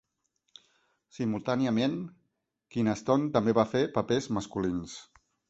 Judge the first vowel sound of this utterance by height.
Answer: high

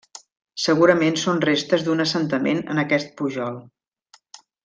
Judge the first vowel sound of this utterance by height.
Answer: mid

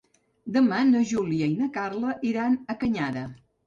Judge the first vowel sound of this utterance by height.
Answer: mid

